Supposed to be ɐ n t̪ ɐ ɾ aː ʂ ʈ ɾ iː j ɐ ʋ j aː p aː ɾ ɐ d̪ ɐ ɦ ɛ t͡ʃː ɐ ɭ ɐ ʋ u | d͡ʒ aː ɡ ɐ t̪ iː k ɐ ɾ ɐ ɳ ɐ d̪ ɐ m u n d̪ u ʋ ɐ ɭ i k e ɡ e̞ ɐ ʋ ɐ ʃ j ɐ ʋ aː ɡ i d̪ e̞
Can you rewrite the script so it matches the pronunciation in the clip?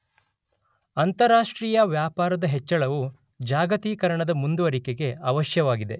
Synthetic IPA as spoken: ɐ n t̪ ɐ ɾ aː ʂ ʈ ɾ iː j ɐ ʋ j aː p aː ɾ ɐ d̪ ɐ ɦ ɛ t͡ʃː ɐ ɭ ɐ ʋ u | d͡ʒ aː ɡ ɐ t̪ iː k ɐ ɾ ɐ ɳ ɐ d̪ ɐ m u n d̪ u ʋ ɐ ɾ i k e ɡ e̞ ɐ ʋ ɐ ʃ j ɐ ʋ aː ɡ i d̪ e̞